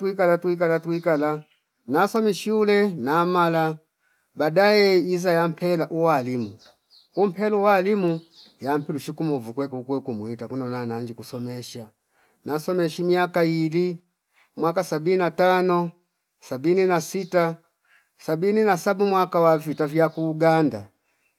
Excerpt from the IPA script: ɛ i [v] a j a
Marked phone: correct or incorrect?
incorrect